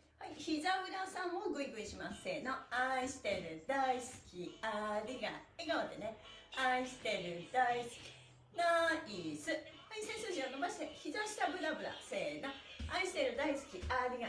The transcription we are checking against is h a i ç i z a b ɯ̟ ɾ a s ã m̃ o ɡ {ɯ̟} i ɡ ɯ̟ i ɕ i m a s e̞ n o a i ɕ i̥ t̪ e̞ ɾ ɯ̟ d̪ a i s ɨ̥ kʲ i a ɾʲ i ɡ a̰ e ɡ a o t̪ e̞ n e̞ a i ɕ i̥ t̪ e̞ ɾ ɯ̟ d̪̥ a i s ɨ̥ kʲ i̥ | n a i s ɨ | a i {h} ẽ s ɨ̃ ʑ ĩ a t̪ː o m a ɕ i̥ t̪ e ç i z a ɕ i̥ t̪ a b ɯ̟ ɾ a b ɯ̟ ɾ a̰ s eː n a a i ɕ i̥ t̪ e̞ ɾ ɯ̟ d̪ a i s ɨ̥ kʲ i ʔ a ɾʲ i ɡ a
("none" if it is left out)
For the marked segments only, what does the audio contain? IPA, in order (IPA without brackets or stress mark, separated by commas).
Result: ɯ̟, s